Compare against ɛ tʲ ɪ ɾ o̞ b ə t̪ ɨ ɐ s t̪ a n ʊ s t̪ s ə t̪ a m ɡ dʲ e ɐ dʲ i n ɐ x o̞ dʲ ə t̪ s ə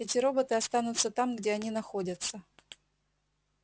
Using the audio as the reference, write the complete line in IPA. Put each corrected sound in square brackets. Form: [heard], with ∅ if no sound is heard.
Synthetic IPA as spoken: ɛ tʲ ɪ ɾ o̞ b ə t̪ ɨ ɐ s t̪ a n ʊ [∅] t̪ s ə t̪ a m ɡ dʲ e ɐ [nʲ] i n ɐ x o̞ dʲ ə t̪ s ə